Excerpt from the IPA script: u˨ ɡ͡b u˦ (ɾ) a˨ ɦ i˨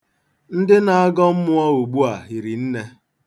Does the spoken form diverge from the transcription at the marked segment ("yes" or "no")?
yes